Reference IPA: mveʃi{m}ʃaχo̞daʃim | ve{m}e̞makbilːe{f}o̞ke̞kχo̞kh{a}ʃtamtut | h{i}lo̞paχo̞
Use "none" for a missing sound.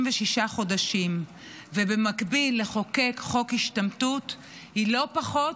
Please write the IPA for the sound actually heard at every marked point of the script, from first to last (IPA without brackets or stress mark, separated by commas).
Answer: none, b, χ, i, i